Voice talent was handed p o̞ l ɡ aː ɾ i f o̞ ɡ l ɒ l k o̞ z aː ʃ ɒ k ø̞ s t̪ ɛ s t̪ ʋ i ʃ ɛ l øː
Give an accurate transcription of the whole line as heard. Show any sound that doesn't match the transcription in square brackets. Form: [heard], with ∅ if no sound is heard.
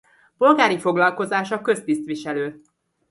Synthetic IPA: p o̞ l ɡ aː ɾ i f o̞ ɡ l ɒ l k o̞ z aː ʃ ɒ k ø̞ s t̪ [i] s t̪ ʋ i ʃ ɛ l øː